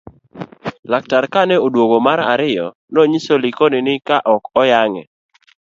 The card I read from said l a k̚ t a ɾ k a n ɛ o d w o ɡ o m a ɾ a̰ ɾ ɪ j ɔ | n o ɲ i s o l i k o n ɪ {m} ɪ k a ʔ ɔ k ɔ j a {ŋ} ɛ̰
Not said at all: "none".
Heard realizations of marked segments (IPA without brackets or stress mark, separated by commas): n, ŋ